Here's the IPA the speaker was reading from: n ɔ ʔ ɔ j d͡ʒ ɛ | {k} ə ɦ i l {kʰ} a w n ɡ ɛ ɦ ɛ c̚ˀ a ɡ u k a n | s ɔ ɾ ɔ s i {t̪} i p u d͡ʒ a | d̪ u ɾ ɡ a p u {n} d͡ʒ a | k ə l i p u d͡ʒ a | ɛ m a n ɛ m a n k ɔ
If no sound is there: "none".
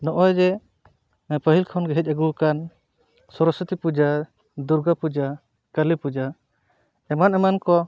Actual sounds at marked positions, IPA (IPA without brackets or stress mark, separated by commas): p, kʰ, t̪, none